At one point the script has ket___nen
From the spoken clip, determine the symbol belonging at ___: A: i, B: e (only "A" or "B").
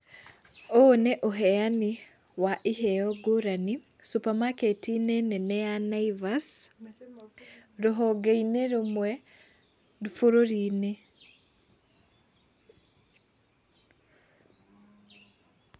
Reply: A